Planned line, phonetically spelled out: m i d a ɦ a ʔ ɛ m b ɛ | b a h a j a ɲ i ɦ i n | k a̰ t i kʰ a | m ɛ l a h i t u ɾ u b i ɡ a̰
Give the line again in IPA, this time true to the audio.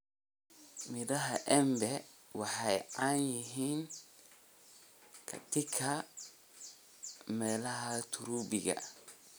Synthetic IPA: m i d a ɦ a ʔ ɛ m b ɛ | w a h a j a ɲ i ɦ i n | k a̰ t i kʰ a | m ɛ l a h a t u ɾ u b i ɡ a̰